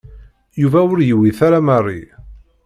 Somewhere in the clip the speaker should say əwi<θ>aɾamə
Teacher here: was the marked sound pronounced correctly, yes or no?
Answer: yes